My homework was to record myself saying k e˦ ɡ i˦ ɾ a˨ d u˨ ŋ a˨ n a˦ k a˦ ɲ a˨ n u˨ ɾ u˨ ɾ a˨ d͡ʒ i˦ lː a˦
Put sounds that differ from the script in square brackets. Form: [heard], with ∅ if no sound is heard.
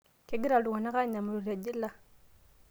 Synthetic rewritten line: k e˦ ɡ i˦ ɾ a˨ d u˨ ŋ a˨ n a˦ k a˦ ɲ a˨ [m] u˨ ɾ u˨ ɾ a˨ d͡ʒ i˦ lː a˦